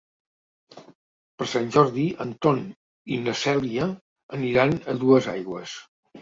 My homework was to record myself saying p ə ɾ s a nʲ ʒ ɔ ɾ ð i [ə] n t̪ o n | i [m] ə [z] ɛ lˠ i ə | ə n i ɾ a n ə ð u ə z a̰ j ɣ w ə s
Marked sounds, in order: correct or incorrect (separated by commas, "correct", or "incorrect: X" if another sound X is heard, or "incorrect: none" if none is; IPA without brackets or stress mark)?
correct, incorrect: n, incorrect: s